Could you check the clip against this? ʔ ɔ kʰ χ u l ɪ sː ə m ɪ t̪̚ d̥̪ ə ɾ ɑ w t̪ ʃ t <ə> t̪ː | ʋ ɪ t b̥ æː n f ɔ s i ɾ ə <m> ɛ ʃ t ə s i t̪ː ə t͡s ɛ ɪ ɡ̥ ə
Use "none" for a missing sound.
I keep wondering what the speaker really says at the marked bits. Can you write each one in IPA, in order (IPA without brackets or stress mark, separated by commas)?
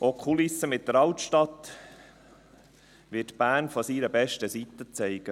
ɑ, b